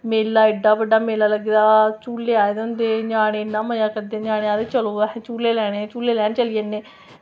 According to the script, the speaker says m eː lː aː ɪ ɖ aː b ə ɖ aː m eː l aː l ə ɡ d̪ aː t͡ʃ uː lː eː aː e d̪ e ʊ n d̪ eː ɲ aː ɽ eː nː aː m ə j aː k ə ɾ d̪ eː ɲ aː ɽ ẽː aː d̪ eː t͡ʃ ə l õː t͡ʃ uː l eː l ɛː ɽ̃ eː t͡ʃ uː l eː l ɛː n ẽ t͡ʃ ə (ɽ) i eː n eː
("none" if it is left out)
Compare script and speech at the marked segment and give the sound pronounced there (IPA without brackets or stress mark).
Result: l